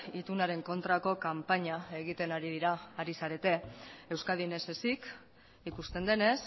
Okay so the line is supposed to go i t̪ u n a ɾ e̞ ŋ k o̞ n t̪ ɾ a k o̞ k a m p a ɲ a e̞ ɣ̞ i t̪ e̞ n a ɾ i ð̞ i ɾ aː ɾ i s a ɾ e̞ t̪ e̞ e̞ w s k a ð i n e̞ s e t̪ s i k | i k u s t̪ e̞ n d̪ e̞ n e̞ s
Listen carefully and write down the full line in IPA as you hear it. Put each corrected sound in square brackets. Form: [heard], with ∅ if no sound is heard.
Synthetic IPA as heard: i t̪ u n a ɾ e̞ ŋ k o̞ n t̪ ɾ a k o̞ k a m p a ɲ a e̞ ɣ̞ i t̪ e̞ n a ɾ i ð̞ i ɾ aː ɾ i s a ɾ e̞ t̪ e̞ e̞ w s k a ð i n e̞ s e [∅] s i k | i k u s t̪ e̞ n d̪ e̞ n e̞ s